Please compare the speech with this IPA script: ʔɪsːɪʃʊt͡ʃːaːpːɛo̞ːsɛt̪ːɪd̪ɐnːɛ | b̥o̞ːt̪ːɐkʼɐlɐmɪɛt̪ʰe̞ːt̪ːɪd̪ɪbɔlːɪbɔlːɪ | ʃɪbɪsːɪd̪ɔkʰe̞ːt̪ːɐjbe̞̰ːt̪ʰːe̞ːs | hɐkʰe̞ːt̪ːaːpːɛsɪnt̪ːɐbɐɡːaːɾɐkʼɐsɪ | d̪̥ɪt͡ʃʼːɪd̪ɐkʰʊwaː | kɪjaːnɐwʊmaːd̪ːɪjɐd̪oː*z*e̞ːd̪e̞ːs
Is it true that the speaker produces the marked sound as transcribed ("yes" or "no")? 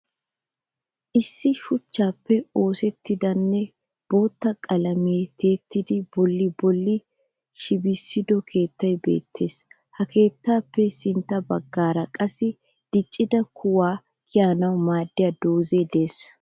yes